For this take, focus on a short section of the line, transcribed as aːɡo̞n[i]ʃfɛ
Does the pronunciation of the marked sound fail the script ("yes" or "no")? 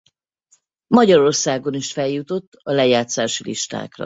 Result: no